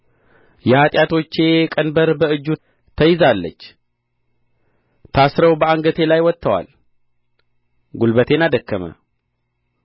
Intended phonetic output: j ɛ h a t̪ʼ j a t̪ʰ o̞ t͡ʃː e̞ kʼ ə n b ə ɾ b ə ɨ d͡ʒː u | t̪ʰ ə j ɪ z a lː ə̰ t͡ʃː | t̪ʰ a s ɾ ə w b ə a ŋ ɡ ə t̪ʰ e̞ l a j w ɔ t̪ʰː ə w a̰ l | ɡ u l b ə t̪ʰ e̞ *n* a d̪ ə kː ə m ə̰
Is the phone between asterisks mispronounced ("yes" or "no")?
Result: no